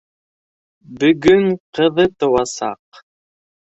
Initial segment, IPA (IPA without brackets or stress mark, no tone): b